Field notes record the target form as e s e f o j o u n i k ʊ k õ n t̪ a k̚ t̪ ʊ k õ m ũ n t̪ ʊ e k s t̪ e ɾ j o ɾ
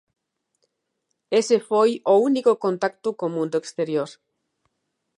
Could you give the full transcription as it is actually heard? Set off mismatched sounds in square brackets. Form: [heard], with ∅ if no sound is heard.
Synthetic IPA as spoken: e s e f o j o u n i k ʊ k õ n t̪ a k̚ t̪ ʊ k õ m ũ n [d̪] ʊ e k s t̪ e ɾ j o ɾ

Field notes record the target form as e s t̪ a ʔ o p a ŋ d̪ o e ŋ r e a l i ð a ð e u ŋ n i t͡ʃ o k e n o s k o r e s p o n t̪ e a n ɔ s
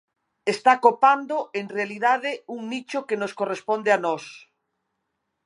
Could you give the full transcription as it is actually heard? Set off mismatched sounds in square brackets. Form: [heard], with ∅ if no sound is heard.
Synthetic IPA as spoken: e s t̪ a [k] o p a [n] d̪ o e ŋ r e a l i ð a ð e u ŋ n i t͡ʃ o k e n o s k o r e s p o n [d̪] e a n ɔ s

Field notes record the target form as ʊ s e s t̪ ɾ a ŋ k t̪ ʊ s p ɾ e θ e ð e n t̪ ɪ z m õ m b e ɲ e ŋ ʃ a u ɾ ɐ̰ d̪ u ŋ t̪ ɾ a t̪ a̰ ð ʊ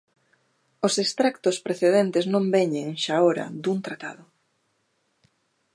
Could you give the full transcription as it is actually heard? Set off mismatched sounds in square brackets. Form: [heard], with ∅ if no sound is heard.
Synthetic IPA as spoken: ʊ s e s t̪ ɾ a [∅] k t̪ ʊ s p ɾ e θ e ð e n t̪ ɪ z [n] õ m b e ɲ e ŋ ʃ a [o] ɾ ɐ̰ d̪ u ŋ t̪ ɾ a t̪ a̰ ð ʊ

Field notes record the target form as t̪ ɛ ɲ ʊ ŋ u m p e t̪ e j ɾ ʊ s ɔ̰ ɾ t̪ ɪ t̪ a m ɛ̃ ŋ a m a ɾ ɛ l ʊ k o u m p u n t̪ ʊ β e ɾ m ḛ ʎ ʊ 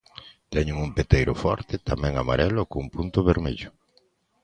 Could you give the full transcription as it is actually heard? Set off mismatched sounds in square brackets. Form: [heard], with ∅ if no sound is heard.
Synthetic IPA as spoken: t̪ ɛ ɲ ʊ ŋ u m p e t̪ e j ɾ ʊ [f] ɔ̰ ɾ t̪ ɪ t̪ a m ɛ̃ ŋ a m a ɾ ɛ l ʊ k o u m p u n t̪ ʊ β e ɾ m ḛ ʎ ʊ

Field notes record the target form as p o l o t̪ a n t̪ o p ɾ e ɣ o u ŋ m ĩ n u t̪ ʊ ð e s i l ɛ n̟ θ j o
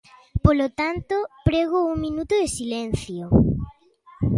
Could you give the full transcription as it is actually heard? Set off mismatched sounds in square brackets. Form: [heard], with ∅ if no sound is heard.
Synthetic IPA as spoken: p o l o t̪ a n t̪ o p ɾ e ɣ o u ŋ m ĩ n u t̪ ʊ ð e s i l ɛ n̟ θ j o

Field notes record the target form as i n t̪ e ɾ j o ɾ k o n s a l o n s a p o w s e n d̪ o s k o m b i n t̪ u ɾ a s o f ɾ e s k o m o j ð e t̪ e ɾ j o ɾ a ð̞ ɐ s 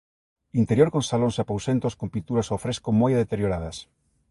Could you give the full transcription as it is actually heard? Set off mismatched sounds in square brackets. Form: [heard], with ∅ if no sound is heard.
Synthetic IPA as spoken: i n t̪ e ɾ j o ɾ k o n s a l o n s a p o w s e n [t̪] o s k o m [p] i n t̪ u ɾ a s o f ɾ e s k o m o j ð e t̪ e ɾ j o ɾ a ð̞ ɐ s

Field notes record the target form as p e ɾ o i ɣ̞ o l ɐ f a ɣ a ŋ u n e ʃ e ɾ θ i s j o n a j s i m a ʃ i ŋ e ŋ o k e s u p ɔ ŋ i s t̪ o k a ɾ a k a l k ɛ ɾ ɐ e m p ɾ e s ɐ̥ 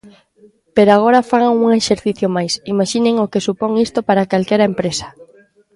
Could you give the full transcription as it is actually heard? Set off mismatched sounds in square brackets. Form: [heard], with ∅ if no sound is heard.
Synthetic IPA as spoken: p e ɾ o [a] ɣ̞ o [ɾ] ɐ f a ɣ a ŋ u [ŋ] e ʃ e ɾ θ i [θ] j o [m] a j s i m a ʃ i [n] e ŋ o k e s u p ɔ ŋ i s t̪ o [p] a ɾ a k a l k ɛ ɾ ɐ e m p ɾ e s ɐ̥

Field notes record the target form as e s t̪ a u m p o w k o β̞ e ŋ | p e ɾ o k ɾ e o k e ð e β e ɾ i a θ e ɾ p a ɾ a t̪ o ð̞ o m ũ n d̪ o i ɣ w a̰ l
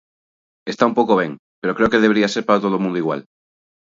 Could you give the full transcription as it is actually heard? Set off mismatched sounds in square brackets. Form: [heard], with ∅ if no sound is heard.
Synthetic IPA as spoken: e s t̪ a u m p o w k o β̞ e ŋ | p e ɾ o k ɾ e o k e ð e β e ɾ i a [s] e ɾ p a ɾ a t̪ o ð̞ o m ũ n d̪ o i ɣ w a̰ l

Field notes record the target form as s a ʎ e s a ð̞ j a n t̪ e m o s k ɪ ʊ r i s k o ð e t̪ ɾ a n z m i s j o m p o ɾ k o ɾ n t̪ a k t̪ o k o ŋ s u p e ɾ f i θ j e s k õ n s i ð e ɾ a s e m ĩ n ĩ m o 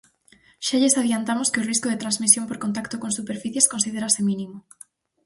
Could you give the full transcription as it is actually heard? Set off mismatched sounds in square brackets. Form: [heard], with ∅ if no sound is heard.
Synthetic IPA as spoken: [ʃ] a ʎ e s a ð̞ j a n t̪ [a] m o s k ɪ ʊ r i s k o ð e t̪ ɾ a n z m i s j o m p o ɾ k o [∅] n t̪ a k t̪ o k o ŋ s u p e ɾ f i θ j e s k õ n s i ð e ɾ a s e m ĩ n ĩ m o

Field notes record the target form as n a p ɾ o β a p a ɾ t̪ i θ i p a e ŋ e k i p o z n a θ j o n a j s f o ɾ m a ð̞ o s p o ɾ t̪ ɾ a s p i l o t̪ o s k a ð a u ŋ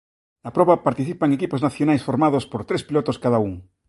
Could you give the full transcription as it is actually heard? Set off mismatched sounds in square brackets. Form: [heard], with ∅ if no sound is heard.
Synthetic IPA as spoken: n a p ɾ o β a p a ɾ t̪ i θ i p a e ŋ e k i p o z n a θ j o n a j s f o ɾ m a ð̞ o s p o ɾ t̪ ɾ [e] s p i l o t̪ o s k a ð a u ŋ

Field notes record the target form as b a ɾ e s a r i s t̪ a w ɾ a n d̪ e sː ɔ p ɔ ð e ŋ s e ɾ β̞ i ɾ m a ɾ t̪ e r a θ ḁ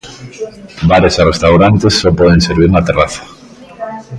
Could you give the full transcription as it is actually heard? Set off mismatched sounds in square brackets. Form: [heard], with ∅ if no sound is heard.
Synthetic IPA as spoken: b a ɾ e s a r [e] s t̪ a w ɾ a n [t̪] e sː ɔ p ɔ ð e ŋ s e ɾ β̞ i ɾ [n] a [∅] t̪ e r a θ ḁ

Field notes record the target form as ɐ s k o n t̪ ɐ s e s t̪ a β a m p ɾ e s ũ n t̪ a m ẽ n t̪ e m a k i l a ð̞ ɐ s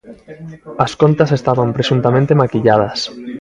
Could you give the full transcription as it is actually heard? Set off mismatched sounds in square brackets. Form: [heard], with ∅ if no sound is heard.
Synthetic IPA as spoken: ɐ s k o n t̪ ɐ s e s t̪ a β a m p ɾ e s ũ n t̪ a m ẽ n t̪ e m a k i [ʎ] a ð̞ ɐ s

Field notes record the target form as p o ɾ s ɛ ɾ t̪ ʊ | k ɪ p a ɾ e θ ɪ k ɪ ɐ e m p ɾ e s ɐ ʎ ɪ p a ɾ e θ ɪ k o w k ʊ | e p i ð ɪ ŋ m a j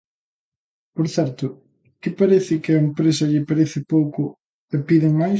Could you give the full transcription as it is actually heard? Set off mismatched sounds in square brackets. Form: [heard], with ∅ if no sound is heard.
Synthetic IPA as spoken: p o ɾ [θ] ɛ ɾ t̪ ʊ | k ɪ p a ɾ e θ ɪ k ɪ ɐ e m p ɾ e s ɐ ʎ ɪ p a ɾ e θ ɪ [p] o w k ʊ | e p i ð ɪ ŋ m a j

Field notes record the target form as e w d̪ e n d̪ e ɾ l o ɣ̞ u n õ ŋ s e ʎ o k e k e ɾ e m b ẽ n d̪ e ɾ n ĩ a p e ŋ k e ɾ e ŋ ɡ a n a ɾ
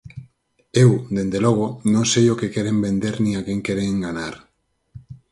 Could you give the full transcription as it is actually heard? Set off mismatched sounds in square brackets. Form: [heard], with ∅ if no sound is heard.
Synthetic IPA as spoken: e w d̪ e n d̪ e [∅] l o ɣ̞ [o] n õ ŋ s e [j] o k e k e ɾ e m b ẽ n d̪ e ɾ n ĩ a [k] e ŋ k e ɾ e ŋ ɡ a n a ɾ

